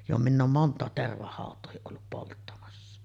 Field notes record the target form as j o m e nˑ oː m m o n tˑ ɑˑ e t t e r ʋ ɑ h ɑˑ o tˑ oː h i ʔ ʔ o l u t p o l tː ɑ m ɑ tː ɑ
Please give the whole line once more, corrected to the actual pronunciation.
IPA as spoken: j o m i nˑ oː m m o n tˑ ɑˑ e t t e r ʋ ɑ h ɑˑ o tˑ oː h i ʔ ʔ o lː u p p o l tː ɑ m ɑ sː ɑ